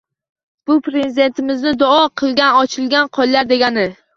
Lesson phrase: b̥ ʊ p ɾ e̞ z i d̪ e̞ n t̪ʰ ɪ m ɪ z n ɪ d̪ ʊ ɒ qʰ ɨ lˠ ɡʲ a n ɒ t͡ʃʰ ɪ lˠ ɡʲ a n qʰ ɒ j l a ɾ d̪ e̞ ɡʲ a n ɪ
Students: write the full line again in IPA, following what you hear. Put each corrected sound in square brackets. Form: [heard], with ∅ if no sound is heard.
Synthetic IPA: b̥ ʊ p ɾ e̞ z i d̪ e̞ n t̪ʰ ɪ m ɪ z n ɪ d̪ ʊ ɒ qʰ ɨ lˠ ɡʲ a n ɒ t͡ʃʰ ɪ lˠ ɡʲ a n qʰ ɒ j l a ɾ d̪ e̞ ɡʲ a n ɪ